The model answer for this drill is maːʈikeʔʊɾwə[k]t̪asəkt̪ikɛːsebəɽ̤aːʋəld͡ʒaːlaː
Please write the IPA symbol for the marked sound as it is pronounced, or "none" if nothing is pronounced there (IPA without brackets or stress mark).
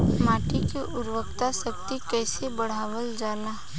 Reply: k